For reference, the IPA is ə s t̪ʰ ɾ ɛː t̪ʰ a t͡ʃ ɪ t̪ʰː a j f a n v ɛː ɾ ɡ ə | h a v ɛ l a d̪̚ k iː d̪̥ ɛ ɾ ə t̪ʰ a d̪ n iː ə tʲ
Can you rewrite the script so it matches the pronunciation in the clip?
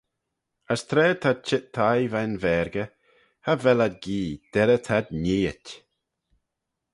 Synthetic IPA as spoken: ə s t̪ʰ ɾ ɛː t̪ʰ a t͡ʃ ɪ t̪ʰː a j v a n v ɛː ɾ ɡ ə | h a v ɛ l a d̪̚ ɡ iː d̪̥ ɛ ɾ ə t̪ʰ a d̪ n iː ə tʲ